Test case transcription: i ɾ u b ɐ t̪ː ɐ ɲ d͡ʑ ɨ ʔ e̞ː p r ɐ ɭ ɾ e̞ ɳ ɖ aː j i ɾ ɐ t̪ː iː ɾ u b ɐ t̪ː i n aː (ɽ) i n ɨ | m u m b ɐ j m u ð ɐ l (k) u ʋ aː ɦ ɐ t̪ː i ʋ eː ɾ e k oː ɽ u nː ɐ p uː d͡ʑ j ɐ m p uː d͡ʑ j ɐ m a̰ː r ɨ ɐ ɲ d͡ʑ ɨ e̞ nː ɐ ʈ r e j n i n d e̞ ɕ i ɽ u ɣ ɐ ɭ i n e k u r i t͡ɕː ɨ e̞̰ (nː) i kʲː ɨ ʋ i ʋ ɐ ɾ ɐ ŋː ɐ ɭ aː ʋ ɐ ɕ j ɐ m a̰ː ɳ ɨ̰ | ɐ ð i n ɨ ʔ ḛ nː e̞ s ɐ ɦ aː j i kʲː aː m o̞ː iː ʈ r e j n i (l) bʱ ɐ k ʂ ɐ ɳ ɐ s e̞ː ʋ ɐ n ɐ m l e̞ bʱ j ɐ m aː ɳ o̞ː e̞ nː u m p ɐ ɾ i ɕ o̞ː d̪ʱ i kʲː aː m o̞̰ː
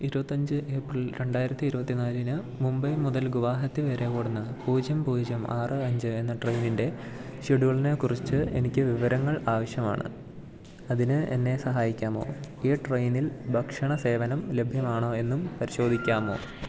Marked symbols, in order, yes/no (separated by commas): no, no, no, yes